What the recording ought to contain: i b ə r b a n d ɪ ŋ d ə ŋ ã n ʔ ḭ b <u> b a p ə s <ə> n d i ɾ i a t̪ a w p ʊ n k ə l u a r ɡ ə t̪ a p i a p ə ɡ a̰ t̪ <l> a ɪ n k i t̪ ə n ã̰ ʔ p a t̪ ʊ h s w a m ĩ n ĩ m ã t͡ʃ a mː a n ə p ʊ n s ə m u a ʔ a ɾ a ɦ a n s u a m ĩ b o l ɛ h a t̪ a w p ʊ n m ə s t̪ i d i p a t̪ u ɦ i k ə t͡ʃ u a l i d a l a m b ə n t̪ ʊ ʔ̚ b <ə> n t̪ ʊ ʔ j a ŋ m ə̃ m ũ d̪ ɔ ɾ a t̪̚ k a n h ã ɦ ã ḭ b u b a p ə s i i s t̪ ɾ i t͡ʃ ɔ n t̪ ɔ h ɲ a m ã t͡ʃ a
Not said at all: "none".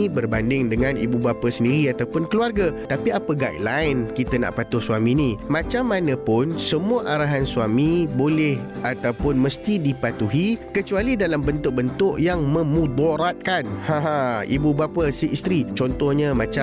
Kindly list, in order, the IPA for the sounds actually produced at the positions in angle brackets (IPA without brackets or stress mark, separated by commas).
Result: u, ə, l, ə